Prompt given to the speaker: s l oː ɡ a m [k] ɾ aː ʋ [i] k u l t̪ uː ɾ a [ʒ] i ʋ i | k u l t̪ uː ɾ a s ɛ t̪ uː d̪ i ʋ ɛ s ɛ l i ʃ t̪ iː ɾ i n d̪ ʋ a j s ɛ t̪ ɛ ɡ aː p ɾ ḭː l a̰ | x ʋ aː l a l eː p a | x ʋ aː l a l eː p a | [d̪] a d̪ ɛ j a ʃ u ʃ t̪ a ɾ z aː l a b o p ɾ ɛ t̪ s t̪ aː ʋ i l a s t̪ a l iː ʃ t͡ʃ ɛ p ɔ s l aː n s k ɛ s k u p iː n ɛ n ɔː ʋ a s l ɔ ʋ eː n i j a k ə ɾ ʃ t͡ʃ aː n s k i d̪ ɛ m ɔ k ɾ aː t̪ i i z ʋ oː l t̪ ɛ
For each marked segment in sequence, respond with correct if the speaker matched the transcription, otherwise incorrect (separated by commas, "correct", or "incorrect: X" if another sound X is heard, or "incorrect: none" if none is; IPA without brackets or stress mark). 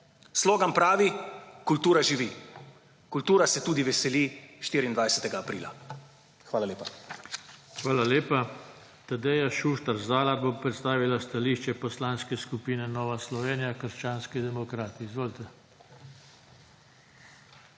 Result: incorrect: p, correct, correct, incorrect: t̪